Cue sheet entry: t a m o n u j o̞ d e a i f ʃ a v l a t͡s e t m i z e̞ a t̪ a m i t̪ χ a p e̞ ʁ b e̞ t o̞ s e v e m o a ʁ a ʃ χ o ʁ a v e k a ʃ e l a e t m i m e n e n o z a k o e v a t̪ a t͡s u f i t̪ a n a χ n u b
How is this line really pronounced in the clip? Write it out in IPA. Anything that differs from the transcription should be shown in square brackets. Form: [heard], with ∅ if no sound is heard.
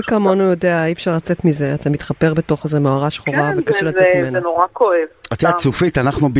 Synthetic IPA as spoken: [k] a m o n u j o̞ d e a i f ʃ a [ʁ] l a t͡s e t m i z e̞ a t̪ a m i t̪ χ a p e̞ ʁ b e̞ t o̞ [χ] e [z] e m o a ʁ a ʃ χ o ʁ a v e k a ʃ e l a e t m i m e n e n o [ʁ] a k o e v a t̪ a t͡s u f i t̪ a n a χ n u b